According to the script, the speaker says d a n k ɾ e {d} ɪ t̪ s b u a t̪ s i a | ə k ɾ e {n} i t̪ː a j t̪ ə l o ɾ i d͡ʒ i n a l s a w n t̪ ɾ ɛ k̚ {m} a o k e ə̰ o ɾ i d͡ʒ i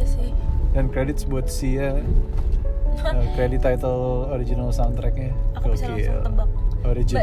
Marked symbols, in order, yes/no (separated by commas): yes, no, no